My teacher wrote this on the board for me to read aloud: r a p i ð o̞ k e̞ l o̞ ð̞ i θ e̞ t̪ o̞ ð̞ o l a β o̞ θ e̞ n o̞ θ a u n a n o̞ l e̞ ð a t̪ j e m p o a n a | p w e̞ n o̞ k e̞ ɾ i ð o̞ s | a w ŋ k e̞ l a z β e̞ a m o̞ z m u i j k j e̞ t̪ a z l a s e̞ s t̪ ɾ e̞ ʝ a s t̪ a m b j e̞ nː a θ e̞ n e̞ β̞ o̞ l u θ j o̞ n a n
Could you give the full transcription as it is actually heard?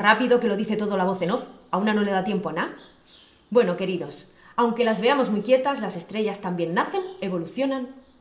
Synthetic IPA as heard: r a p i ð o̞ k e̞ l o̞ ð̞ i θ e̞ t̪ o̞ ð̞ o l a β o̞ θ e̞ n o̞ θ a u n a n o̞ l e̞ ð a t̪ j e m p o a n a | b w e̞ n o̞ k e̞ ɾ i ð o̞ s | a w ŋ k e̞ l a z β e̞ a m o̞ z m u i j k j e̞ t̪ a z l a s e̞ s t̪ ɾ e̞ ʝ a s t̪ a m b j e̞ nː a θ e̞ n e̞ β̞ o̞ l u θ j o̞ n a n